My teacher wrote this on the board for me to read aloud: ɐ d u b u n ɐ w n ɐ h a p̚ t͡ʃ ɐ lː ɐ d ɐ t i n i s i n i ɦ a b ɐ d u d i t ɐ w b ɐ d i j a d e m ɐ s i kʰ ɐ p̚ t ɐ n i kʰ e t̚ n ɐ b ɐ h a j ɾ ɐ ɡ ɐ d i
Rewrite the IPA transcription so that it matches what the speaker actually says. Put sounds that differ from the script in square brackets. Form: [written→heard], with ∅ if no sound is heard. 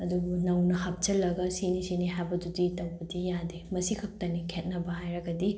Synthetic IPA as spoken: ɐ d u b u n ɐ w n ɐ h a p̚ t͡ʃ ɐ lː ɐ [d→ɡ] ɐ [t→s] i n i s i n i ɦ a b ɐ d u d i t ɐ w b ɐ d i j a d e m ɐ s i kʰ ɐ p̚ t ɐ n i kʰ e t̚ n ɐ b ɐ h a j ɾ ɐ ɡ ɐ d i

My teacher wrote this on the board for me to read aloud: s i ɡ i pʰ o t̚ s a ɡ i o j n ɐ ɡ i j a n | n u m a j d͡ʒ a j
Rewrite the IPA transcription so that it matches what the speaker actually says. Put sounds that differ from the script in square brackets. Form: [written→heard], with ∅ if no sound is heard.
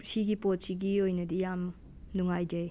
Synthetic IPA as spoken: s i ɡ i [pʰ→p] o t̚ s [a→i] ɡ i o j n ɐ [ɡ→d] i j a [n→m] | n u [m→ŋ] a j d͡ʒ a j

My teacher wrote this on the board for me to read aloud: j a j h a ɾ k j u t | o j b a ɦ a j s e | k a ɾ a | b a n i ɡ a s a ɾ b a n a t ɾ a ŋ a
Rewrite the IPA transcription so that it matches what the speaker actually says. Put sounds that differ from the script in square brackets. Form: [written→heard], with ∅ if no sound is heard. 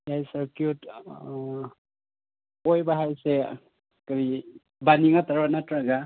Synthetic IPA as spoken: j a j [h→s] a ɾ k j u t | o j b a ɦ a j s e | k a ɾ [a→i] | b a n i [ɡ→ŋ] a [s→t] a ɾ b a n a t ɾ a [ŋ→ɡ] a

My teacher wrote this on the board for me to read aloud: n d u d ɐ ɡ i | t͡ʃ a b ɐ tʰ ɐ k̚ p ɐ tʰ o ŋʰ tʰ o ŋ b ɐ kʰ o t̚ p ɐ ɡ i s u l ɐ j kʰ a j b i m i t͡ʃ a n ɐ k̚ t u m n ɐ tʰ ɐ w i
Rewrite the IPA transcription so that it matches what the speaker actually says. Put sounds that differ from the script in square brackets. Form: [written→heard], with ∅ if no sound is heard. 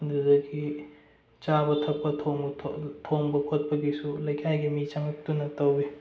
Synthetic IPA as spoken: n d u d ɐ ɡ i | t͡ʃ a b ɐ tʰ ɐ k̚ p ɐ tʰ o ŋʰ tʰ o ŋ b ɐ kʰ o t̚ p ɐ ɡ i s u l ɐ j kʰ a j [b→ɡ] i m i t͡ʃ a [n→ŋ] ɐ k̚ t u [m→∅] n ɐ [tʰ→t] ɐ w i

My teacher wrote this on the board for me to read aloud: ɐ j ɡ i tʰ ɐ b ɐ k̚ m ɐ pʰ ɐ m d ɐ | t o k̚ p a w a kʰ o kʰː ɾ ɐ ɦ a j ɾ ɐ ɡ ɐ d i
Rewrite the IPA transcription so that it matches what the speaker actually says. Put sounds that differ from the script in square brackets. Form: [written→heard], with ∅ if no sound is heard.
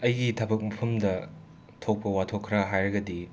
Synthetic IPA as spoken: ɐ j ɡ i tʰ ɐ b ɐ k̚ m ɐ pʰ ɐ m d ɐ | [t→tʰ] o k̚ p [a→ɐ] w a [kʰ→tʰ] o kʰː ɾ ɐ ɦ a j ɾ ɐ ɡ ɐ d i

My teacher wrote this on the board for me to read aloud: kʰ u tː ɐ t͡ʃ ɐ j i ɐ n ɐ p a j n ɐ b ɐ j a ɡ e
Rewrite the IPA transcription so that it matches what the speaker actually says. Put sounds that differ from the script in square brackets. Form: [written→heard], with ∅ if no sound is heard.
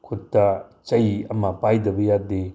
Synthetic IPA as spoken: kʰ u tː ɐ t͡ʃ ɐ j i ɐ [n→m] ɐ p a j [n→d] ɐ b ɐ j a [ɡ→d] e

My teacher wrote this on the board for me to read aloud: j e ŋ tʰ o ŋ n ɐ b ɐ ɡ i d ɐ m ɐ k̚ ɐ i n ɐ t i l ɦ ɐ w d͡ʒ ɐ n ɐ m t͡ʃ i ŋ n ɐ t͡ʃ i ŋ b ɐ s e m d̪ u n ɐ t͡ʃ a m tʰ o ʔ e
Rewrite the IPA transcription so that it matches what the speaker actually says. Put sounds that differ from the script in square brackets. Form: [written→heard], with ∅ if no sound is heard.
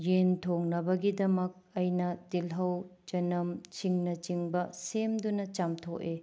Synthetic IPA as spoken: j e [ŋ→n] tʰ o ŋ n ɐ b ɐ ɡ i d ɐ m ɐ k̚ ɐ [i→j] n ɐ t i l ɦ ɐ w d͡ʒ ɐ n ɐ m t͡ʃ i ŋ n ɐ t͡ʃ i ŋ b ɐ s e m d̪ u n ɐ t͡ʃ a m tʰ o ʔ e

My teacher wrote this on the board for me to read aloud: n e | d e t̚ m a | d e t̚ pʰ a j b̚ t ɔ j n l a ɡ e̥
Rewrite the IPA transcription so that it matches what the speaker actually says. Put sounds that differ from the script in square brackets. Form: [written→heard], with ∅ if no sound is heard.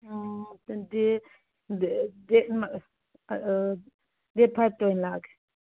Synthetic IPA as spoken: [n→d] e | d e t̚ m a | d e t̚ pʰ a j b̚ t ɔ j n l a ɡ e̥

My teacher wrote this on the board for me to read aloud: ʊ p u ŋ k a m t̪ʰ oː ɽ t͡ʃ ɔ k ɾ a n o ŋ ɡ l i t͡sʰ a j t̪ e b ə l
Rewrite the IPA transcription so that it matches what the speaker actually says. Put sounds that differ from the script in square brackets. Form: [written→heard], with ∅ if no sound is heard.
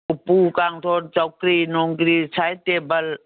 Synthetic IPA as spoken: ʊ p u [ŋ→∅] k a [m→ŋ] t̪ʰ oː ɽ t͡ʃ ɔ k ɾ [a→i] n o ŋ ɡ [l→ɾ] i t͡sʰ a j t̪ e b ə l

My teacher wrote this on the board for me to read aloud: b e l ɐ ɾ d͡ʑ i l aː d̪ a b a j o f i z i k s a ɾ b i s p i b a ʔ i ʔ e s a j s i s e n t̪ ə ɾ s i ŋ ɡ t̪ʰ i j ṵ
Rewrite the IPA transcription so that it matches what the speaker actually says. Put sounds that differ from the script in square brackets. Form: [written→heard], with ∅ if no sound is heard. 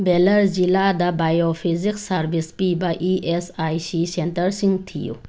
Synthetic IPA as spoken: b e l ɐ ɾ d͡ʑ i l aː d̪ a b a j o f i z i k s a ɾ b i s p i b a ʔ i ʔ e s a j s i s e n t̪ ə ɾ s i ŋ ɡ t̪ʰ i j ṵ

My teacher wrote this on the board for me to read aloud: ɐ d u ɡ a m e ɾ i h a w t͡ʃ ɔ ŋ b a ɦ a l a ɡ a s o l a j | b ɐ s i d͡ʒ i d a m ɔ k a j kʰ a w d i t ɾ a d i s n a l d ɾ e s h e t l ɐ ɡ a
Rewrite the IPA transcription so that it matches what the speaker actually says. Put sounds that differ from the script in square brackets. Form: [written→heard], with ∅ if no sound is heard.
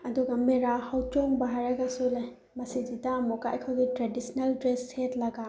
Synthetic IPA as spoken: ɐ d u ɡ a m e ɾ [i→a] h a w t͡ʃ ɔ ŋ b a ɦ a [l→ɾ] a ɡ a s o l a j | [b→m] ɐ s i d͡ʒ i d a m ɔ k a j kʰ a w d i t ɾ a d i s n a l d ɾ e s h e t l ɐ ɡ a

